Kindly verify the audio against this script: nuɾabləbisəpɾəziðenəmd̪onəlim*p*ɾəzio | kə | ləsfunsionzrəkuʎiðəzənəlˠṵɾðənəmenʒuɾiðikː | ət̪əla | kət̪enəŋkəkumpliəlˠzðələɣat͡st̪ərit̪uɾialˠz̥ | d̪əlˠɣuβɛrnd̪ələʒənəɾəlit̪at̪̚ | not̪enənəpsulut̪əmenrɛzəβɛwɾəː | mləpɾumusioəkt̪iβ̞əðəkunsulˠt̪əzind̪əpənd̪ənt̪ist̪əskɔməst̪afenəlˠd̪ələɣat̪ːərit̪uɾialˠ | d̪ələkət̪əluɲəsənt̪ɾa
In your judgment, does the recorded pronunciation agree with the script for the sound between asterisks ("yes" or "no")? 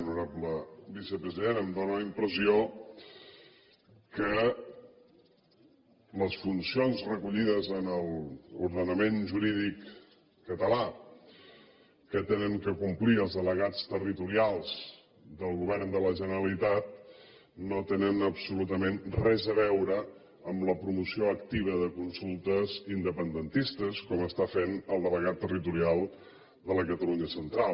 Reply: yes